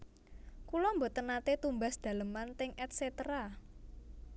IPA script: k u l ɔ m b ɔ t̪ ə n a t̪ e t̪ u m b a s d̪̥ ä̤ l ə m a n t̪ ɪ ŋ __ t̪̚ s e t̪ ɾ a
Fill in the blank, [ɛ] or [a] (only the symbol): ɛ